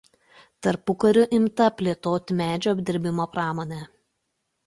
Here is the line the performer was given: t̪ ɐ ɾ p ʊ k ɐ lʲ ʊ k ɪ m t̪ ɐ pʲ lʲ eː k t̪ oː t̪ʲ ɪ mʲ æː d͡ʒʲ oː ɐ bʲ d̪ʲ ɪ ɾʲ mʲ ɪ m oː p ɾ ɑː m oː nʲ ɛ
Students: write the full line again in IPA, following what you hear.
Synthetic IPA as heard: t̪ ɐ ɾ p ʊ k ɐ ɾʲ ʊ ʔ ɪ m t̪ ɐ pʲ lʲ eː t̪ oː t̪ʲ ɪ mʲ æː d͡ʒʲ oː ɐ bʲ d̪ʲ ɪ ɾʲ bʲ ɪ m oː p ɾ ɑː m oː nʲ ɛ